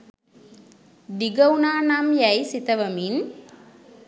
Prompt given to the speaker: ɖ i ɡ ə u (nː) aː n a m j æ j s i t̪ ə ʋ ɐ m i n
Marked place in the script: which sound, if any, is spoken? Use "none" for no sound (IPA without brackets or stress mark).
n